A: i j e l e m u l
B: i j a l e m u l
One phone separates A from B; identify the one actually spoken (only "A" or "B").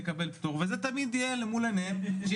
A